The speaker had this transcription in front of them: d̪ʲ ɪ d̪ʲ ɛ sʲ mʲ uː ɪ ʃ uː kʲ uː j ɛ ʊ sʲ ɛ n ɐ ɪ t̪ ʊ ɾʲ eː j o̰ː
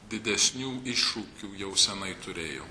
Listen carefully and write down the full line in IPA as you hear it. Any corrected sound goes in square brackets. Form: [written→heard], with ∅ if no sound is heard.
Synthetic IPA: d̪ʲ ɪ d̪ʲ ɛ sʲ [mʲ→nʲ] uː ɪ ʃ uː kʲ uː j ɛ ʊ sʲ ɛ n ɐ ɪ t̪ ʊ ɾʲ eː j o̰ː